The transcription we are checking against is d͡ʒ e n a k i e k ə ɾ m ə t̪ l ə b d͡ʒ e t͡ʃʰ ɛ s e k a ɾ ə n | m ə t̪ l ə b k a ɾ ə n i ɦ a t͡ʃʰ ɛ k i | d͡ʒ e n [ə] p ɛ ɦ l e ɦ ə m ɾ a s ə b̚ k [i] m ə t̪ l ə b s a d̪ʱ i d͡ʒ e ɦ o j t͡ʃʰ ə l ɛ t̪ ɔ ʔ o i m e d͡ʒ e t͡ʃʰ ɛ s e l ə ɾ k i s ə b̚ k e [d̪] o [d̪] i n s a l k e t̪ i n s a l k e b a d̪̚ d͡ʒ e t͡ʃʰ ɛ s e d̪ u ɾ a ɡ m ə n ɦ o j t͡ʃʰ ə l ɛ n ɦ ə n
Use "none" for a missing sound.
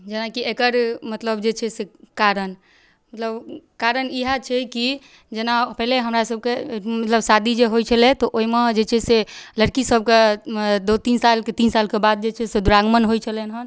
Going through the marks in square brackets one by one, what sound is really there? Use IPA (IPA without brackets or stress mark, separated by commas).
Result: a, e, d̪, t̪